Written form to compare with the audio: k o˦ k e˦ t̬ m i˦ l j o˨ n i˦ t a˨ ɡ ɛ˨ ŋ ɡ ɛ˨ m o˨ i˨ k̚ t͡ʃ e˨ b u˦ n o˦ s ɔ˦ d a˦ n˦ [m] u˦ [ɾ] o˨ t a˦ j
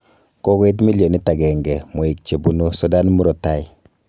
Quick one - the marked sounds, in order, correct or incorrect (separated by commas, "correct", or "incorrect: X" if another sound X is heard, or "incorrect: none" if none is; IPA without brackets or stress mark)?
correct, correct